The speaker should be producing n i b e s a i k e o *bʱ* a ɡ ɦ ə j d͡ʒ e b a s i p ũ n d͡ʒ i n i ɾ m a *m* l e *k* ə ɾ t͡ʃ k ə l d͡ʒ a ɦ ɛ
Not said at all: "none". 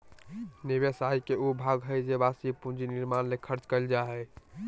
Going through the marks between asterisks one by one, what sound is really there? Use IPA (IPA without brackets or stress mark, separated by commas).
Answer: bʱ, n, kʰ